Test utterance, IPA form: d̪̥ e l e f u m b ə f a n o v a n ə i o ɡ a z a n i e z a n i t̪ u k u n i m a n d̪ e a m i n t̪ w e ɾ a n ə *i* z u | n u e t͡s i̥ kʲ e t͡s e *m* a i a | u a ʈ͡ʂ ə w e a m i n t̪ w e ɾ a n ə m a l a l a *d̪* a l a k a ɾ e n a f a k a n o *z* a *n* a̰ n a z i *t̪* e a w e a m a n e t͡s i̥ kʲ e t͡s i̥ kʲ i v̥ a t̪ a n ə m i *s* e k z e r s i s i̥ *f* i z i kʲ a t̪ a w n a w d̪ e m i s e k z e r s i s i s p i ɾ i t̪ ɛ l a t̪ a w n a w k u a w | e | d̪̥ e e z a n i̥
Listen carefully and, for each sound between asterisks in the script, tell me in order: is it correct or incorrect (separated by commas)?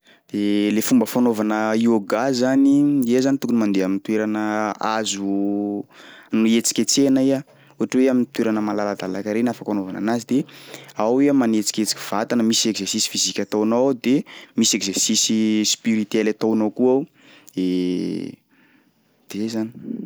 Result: incorrect, incorrect, correct, incorrect, correct, incorrect, correct, correct